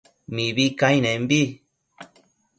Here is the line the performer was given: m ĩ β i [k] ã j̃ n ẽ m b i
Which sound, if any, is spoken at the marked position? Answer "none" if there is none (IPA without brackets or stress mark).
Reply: k